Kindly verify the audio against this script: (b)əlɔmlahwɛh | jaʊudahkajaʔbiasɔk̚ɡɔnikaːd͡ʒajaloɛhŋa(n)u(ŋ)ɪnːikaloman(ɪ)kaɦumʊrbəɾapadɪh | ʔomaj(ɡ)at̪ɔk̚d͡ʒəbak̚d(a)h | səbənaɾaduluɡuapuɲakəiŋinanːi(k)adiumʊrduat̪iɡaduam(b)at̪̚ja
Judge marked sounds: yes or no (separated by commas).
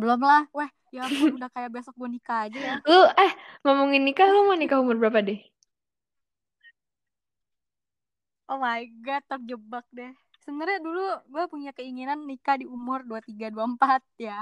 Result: yes, no, yes, no, yes, no, yes, no